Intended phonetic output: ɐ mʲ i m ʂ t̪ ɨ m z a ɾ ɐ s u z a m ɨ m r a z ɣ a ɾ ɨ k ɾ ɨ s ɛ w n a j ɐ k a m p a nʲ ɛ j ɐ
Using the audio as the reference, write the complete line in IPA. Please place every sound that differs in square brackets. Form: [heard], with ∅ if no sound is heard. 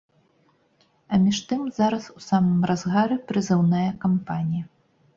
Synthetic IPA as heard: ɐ mʲ i [∅] ʂ t̪ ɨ m z a ɾ ɐ s u [s] a m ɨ m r a z ɣ a ɾ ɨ [p] ɾ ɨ [z] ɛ w n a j ɐ k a m p a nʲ [i] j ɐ